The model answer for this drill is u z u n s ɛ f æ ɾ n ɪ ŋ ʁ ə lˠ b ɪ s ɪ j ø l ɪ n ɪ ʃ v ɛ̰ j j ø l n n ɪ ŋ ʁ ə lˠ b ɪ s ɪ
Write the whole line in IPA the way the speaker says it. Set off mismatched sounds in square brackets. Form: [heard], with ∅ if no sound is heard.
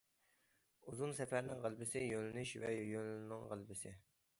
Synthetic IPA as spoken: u z u n s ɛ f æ ɾ n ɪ ŋ ʁ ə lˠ b ɪ s ɪ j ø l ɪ n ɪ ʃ v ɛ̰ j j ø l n n ɪ ŋ ʁ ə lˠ b ɪ s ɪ

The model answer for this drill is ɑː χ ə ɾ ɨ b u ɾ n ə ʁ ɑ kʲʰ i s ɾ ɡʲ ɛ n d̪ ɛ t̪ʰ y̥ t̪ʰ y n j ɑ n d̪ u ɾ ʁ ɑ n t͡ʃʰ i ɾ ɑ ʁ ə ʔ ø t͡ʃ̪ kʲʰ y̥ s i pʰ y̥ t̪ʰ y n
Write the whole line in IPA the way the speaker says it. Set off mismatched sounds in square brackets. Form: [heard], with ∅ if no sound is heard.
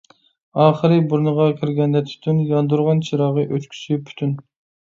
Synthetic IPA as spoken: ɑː χ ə ɾ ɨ b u ɾ n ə ʁ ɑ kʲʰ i [∅] ɾ ɡʲ ɛ n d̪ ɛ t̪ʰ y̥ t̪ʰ y n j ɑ n d̪ u ɾ ʁ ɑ n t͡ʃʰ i ɾ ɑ ʁ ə ʔ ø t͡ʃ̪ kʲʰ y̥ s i pʰ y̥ t̪ʰ y n

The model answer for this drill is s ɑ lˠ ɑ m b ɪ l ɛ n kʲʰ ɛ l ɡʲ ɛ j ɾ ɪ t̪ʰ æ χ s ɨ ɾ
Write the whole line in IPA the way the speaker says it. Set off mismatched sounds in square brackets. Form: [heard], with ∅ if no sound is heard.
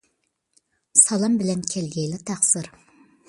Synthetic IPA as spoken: s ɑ lˠ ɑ m b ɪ l ɛ n kʲʰ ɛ l ɡʲ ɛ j [l] ɪ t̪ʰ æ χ s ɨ ɾ

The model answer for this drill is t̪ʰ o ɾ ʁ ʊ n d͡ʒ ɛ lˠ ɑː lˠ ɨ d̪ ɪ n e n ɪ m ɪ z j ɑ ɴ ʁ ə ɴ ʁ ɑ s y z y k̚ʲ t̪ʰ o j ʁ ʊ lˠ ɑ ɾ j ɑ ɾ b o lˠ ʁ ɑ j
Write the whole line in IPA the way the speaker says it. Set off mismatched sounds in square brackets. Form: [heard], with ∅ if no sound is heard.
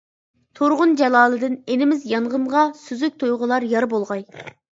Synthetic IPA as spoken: t̪ʰ o ɾ ʁ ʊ n d͡ʒ ɛ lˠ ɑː lˠ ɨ d̪ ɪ n e n ɪ m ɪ z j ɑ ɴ ʁ ə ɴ ʁ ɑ s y z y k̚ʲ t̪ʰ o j ʁ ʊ lˠ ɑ ɾ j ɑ ɾ b o lˠ ʁ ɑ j

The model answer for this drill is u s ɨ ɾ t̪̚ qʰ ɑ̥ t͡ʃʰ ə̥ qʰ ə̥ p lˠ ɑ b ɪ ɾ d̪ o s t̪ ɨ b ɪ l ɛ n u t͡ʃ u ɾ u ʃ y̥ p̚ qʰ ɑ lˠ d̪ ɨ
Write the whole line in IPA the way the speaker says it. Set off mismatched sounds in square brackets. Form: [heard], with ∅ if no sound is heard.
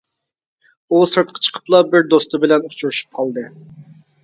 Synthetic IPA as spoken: u s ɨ ɾ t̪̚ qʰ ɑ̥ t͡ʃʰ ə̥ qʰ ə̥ p lˠ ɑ b ɪ ɾ d̪ o s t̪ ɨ b ɪ l ɛ n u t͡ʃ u ɾ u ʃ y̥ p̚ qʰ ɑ lˠ d̪ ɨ

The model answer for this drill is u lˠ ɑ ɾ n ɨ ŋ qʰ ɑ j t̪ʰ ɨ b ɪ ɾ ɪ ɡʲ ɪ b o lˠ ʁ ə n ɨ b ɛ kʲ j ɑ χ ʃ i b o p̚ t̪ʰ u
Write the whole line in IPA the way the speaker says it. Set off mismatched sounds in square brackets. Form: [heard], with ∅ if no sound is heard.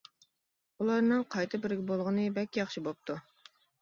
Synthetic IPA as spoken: u lˠ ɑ ɾ n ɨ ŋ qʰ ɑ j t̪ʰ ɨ b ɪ ɾ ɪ ɡʲ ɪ b o lˠ ʁ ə n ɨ b ɛ kʲ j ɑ χ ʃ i b o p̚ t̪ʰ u

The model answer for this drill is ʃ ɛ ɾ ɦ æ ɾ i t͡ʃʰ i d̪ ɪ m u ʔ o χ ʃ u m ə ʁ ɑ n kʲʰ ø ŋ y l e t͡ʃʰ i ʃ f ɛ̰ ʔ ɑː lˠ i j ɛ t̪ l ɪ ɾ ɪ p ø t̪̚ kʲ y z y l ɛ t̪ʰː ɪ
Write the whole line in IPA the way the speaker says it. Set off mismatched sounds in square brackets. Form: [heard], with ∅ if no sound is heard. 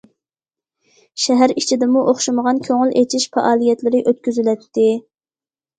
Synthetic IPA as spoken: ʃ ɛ [∅] ɦ æ ɾ i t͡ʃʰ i d̪ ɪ m u ʔ o χ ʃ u m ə ʁ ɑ n kʲʰ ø ŋ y l e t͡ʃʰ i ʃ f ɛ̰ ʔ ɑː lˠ i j ɛ t̪ l ɪ ɾ ɪ [ʔ] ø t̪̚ kʲ y z y l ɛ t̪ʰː ɪ

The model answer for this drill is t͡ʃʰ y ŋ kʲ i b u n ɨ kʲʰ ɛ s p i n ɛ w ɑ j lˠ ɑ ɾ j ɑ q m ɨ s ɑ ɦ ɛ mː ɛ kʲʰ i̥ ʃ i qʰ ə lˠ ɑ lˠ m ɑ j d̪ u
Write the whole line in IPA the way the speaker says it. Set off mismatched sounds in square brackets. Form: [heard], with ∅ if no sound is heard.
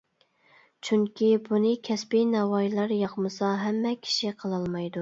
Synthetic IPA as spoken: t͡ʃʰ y ŋ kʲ i b u n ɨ kʲʰ ɛ s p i n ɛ w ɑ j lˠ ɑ ɾ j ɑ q m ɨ s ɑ ɦ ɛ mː ɛ kʲʰ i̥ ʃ i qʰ ə lˠ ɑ lˠ m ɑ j d̪ u

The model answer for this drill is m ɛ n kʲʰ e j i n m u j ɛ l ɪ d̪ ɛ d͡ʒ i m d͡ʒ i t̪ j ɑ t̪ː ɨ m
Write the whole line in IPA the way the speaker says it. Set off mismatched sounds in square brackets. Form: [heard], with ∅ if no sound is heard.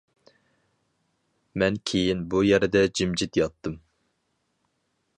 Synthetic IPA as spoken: m ɛ n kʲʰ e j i n [b] u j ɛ [ɾ] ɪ d̪ ɛ d͡ʒ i m d͡ʒ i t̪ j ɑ t̪ː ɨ m

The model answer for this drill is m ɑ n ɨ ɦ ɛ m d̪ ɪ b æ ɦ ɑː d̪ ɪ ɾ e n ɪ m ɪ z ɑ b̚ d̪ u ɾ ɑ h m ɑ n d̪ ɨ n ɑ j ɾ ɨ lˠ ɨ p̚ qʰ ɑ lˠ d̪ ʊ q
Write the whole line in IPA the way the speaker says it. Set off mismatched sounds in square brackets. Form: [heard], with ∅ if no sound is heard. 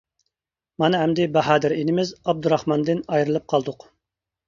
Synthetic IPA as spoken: m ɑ n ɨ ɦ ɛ m d̪ ɪ b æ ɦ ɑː d̪ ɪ ɾ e n ɪ m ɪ z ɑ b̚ d̪ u ɾ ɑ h m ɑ n d̪ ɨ n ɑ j ɾ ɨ lˠ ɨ p̚ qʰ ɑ lˠ d̪ ʊ q

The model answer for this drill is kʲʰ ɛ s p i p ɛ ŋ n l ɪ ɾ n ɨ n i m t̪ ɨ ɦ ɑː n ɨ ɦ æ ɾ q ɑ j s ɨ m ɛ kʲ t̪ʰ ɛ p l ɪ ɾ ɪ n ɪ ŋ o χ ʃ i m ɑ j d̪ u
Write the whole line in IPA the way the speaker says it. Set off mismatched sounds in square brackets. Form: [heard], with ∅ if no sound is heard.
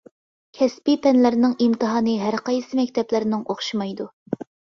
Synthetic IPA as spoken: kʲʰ ɛ s p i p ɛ [∅] n l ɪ ɾ n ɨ [ŋ] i m t̪ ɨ ɦ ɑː n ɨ ɦ æ ɾ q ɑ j s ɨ m ɛ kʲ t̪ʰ ɛ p l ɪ ɾ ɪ n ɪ ŋ o χ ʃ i m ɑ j d̪ u

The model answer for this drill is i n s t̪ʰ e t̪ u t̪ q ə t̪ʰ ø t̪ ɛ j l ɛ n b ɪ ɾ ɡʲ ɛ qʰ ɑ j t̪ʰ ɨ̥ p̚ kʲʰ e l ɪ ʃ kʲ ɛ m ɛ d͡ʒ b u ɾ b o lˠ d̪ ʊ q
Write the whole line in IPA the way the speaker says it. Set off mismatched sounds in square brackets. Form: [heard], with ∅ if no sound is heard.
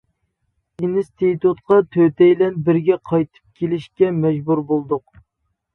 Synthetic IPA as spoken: i n s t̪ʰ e t̪ u t̪ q [ɑ] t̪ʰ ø t̪ ɛ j l ɛ n b ɪ ɾ ɡʲ ɛ qʰ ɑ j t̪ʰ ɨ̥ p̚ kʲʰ e l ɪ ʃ kʲ ɛ m ɛ d͡ʒ b u ɾ b o lˠ d̪ ʊ q

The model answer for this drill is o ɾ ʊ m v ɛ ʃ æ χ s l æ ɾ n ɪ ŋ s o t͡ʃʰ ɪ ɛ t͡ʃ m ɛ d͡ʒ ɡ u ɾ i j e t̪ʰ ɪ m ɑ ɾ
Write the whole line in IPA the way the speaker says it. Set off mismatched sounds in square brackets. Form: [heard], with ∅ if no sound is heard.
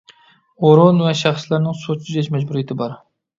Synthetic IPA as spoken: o ɾ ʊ [n] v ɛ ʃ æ χ s l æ ɾ n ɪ ŋ s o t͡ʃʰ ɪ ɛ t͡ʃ m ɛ d͡ʒ [b] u ɾ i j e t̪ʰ ɪ [b] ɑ ɾ

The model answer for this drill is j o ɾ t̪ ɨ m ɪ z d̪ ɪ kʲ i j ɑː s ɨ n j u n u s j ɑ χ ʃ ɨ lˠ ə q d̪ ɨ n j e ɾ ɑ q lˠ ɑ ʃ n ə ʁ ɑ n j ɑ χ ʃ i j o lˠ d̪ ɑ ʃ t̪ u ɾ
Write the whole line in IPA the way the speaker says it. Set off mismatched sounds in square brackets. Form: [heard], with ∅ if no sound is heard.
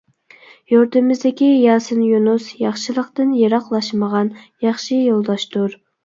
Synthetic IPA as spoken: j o ɾ t̪ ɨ m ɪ z d̪ ɪ kʲ i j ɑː s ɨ n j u n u s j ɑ χ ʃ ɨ lˠ ə q [t̪] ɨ n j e ɾ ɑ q lˠ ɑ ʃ [m] ə ʁ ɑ n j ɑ χ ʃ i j o lˠ d̪ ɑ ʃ t̪ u ɾ

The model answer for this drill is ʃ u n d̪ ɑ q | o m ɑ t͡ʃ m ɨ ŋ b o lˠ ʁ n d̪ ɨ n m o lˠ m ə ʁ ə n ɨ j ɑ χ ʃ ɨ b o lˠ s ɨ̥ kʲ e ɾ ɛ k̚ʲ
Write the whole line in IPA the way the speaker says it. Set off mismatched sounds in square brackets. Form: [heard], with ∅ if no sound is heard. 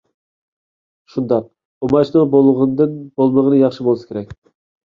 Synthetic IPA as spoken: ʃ u n d̪ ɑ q | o m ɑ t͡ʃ [n] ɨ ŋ b o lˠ ʁ n d̪ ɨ n [b] o lˠ m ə ʁ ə n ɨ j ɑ χ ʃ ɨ b o lˠ s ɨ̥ kʲ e ɾ ɛ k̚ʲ

